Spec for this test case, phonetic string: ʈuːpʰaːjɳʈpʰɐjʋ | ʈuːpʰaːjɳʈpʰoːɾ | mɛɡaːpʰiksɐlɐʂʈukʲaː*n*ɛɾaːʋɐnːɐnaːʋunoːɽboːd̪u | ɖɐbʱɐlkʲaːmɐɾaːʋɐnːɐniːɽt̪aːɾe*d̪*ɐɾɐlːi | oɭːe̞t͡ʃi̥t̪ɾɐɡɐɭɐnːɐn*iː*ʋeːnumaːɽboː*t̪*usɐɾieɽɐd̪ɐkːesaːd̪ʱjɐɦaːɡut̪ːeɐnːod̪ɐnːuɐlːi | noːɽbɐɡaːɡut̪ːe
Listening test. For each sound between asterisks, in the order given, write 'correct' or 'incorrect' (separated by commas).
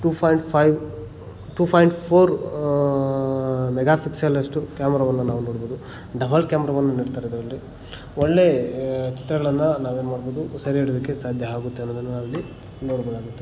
incorrect, correct, incorrect, incorrect